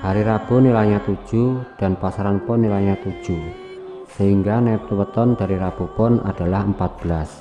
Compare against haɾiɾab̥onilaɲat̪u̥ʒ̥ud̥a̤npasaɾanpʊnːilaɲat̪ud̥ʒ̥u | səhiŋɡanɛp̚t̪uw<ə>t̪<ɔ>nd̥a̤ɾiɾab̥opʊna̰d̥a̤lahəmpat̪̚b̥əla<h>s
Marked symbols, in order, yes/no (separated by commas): yes, yes, no